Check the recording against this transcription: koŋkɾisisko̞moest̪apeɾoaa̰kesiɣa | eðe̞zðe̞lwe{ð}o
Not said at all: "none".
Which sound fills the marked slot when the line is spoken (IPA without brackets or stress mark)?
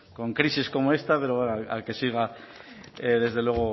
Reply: ɣ